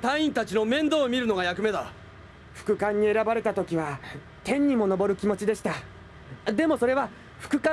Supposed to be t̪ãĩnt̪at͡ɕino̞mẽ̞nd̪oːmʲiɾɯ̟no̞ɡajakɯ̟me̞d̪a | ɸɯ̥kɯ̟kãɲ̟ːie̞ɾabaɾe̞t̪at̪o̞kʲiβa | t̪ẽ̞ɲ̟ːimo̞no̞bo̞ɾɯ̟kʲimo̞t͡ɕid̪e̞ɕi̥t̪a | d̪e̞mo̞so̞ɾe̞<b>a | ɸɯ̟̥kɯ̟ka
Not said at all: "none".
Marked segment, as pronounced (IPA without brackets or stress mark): β